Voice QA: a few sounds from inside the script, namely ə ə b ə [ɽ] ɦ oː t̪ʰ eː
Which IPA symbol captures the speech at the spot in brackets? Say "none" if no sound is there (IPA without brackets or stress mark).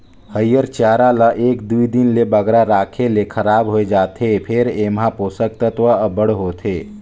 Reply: ɽ